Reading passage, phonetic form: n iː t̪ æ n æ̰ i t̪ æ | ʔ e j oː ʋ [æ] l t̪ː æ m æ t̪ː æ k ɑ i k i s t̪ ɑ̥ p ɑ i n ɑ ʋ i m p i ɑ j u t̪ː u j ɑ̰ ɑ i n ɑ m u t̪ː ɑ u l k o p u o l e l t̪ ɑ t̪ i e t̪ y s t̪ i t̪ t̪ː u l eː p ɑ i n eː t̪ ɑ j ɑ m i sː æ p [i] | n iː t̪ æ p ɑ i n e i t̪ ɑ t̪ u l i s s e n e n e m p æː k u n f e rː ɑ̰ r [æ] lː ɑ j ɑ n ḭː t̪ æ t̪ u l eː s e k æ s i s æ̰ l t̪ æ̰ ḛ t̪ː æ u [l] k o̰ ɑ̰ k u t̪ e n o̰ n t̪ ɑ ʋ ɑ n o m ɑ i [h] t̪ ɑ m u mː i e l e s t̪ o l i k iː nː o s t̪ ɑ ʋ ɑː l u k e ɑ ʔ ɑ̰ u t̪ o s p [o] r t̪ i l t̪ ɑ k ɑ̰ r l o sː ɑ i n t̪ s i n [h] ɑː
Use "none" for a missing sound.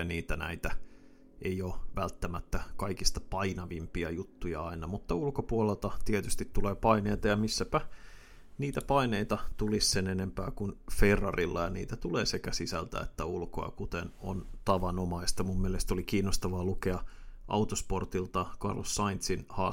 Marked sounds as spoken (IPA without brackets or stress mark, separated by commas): æ, æ, i, l, s, o, h